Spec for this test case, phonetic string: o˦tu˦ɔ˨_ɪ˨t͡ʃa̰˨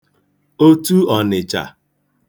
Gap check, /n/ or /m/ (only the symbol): n